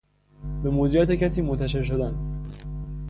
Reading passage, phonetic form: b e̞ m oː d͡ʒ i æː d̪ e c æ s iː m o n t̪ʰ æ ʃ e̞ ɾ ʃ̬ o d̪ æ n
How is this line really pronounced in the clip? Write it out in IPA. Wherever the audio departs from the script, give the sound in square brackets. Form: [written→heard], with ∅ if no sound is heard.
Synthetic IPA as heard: b e̞ m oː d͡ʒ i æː [d̪→t̪] e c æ s iː m o n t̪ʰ æ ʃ e̞ ɾ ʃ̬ o d̪ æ n